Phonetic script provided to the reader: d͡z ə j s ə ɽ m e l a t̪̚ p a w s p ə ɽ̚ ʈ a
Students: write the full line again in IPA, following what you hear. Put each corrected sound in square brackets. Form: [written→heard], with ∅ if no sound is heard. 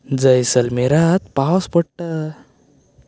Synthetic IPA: d͡z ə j s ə [ɽ→l] m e [l→ɾ] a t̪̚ p a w s p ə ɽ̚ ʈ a

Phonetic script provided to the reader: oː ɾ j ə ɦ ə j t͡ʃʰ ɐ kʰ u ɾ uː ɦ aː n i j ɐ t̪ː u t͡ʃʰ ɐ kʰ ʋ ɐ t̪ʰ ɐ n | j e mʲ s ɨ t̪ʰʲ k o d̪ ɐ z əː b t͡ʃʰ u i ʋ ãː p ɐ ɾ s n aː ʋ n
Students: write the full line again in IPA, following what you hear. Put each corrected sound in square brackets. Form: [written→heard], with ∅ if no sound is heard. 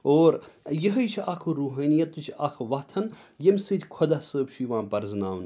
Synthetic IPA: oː ɾ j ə ɦ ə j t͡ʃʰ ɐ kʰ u ɾ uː ɦ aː n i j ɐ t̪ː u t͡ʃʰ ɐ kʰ ʋ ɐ t̪ʰ ɐ n | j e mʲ s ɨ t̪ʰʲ [k→kʰ] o d̪ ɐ [z→s] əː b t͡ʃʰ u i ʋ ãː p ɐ ɾ [s→z] n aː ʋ n

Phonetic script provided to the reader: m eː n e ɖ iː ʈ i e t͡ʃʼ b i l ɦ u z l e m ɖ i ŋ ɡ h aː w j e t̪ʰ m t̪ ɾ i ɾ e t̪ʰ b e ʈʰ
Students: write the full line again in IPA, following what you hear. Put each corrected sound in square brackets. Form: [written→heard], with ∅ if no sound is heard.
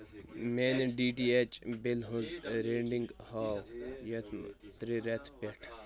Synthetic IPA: m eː n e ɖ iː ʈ i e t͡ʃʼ b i l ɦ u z [l→ɾ] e [m→ɳ] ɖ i ŋ ɡ h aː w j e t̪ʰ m t̪ ɾ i ɾ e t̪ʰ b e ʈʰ

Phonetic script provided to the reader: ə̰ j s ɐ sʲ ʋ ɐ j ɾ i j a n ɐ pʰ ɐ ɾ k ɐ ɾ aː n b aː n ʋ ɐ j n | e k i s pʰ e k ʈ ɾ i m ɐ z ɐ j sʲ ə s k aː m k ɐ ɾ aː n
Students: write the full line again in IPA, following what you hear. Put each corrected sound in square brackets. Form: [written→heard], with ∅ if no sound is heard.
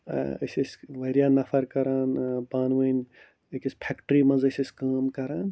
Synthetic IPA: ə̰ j s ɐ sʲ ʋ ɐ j ɾ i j a n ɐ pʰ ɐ ɾ k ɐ ɾ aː n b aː n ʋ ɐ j n | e k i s pʰ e k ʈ ɾ i m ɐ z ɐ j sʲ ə s k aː m k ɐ ɾ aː n

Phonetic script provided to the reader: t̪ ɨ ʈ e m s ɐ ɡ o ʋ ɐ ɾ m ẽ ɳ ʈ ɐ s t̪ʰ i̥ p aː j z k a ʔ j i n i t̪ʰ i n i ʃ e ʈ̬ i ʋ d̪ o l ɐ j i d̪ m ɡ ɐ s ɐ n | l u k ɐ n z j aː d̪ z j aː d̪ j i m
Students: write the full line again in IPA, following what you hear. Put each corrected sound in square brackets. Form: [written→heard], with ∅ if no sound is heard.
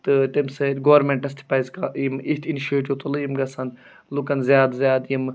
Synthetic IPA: t̪ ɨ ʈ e m s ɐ ɡ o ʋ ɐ ɾ m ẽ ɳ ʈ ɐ s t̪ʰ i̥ p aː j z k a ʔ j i [n→m] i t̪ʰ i n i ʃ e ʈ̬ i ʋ [d̪→t̪] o l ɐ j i [d̪→∅] m ɡ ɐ s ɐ n | l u k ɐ n z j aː d̪ z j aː d̪ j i m

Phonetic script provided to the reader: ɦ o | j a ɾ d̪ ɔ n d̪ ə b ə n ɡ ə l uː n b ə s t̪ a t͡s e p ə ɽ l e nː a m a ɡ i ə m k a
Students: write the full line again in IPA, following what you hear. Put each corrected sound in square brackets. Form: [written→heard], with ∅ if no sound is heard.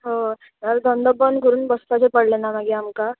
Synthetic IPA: ɦ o | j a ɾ d̪ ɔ n d̪ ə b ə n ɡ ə [l→ɾ] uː n b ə s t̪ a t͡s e p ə ɽ l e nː a m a ɡ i [ə→a] m k a

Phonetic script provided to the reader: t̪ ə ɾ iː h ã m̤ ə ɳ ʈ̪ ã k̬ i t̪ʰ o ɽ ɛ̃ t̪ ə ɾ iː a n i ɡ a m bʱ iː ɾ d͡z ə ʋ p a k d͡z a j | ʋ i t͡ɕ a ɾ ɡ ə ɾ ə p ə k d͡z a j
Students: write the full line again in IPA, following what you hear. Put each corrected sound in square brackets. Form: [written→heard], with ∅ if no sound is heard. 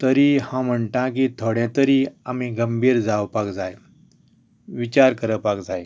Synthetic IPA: t̪ ə ɾ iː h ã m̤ ə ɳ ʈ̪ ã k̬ i t̪ʰ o ɽ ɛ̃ t̪ ə ɾ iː a [n→m] i ɡ [a→ə] m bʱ iː ɾ d͡z [ə→a] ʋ p a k d͡z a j | ʋ i t͡ɕ a ɾ [ɡ→k] ə ɾ ə p [ə→a] k d͡z a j

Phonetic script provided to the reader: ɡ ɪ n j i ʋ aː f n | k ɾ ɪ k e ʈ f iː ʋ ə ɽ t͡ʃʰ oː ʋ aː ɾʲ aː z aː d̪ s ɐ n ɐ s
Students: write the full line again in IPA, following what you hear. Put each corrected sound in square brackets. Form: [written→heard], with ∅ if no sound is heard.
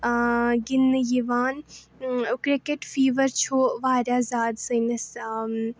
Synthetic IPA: ɡ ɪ n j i ʋ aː [f→∅] n | k ɾ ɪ k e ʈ f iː ʋ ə [ɽ→ɾ] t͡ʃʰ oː ʋ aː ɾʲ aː z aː d̪ s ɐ n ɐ s

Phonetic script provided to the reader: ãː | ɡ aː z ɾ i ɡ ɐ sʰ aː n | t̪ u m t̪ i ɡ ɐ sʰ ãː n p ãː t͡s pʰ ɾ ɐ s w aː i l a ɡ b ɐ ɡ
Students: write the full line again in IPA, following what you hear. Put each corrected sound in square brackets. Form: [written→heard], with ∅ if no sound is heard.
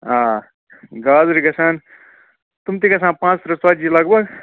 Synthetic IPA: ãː | ɡ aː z ɾ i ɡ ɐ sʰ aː n | t̪ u m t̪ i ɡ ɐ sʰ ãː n p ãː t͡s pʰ ɾ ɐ s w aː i l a ɡ b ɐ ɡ

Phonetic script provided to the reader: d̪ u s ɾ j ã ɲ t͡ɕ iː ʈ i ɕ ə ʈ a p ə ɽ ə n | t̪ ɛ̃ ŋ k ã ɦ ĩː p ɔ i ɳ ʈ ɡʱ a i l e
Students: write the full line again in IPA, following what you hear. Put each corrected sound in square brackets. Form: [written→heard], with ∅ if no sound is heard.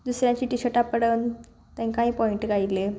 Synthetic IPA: d̪ u s ɾ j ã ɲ t͡ɕ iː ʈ i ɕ ə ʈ a p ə ɽ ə n | t̪ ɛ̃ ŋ k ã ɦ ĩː p ɔ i ɳ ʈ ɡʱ a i l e

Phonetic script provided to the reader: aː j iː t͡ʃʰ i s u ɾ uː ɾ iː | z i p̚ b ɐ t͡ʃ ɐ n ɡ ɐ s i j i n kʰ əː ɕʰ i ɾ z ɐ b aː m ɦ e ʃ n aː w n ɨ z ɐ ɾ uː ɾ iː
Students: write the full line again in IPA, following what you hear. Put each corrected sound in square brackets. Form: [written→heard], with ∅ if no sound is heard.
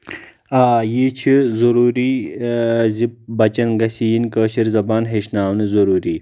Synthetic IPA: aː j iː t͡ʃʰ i [s→z] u ɾ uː ɾ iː | z i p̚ b ɐ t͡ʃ ɐ n ɡ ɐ s i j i n [kʰ→k] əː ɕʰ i ɾ z ɐ b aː [m→n] ɦ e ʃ n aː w n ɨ z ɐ ɾ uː ɾ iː

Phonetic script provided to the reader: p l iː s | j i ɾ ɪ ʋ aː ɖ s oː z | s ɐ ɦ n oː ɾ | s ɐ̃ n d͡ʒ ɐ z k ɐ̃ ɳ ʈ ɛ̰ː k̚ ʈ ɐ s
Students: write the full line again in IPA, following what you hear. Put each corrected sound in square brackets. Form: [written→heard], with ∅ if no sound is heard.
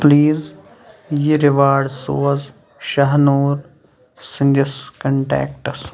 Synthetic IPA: p l iː [s→z] | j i ɾ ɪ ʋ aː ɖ s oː z | [s→ʃ] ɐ ɦ n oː ɾ | s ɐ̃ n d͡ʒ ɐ [z→s] k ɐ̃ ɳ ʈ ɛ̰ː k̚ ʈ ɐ s

